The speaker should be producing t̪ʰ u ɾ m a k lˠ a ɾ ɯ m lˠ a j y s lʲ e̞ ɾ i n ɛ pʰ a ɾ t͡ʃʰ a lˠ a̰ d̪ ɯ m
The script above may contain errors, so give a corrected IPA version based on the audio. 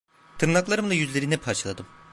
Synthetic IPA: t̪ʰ ɯ ɾ n a k lˠ a ɾ ɯ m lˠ a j y z lʲ e̞ ɾ i n ɛ pʰ a ɾ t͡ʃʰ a lˠ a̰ d̪ ɯ m